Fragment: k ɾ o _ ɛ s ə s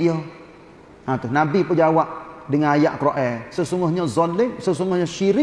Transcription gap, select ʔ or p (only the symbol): ʔ